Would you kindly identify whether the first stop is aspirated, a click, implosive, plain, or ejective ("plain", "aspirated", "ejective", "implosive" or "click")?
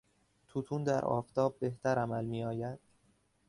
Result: aspirated